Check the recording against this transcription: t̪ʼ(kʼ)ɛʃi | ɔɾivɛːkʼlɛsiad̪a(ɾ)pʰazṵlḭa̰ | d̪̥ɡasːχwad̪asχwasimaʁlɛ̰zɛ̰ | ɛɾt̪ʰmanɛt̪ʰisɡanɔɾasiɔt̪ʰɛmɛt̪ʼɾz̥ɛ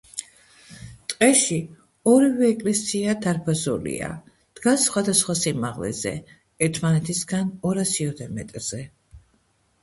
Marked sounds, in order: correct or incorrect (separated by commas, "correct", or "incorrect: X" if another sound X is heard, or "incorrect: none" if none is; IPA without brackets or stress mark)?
incorrect: qʼ, correct